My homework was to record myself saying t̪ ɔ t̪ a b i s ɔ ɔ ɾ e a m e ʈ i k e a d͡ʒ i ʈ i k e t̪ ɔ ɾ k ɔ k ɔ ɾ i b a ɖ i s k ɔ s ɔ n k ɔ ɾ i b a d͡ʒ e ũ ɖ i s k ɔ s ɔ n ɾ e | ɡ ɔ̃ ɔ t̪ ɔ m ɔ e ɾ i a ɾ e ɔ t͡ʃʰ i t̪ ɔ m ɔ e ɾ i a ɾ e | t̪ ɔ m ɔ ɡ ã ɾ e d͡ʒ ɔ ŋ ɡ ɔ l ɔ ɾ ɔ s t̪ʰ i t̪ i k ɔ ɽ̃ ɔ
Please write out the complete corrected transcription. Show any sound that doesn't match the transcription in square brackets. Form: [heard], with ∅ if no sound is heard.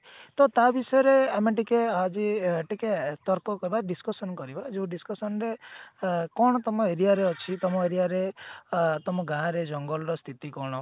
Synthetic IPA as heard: t̪ ɔ t̪ a b i s ɔ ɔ ɾ e a m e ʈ i k e a d͡ʒ i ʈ i k e t̪ ɔ ɾ k ɔ k ɔ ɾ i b a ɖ i s k ɔ s ɔ n k ɔ ɾ i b a d͡ʒ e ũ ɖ i s k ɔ s ɔ n ɾ e | [k] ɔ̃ ɔ t̪ ɔ m ɔ e ɾ i a ɾ e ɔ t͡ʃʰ i t̪ ɔ m ɔ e ɾ i a ɾ e | t̪ ɔ m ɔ ɡ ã ɾ e d͡ʒ ɔ ŋ ɡ ɔ l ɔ ɾ ɔ s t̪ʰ i t̪ i k ɔ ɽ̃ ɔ